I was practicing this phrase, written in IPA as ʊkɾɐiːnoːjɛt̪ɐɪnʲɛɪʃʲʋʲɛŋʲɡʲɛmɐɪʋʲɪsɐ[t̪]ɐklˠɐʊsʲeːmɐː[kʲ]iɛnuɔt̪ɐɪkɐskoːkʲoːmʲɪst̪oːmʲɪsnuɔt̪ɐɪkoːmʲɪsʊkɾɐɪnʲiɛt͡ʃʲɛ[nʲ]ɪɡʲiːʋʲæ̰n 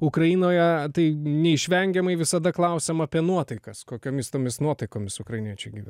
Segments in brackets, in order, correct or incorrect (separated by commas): incorrect, incorrect, incorrect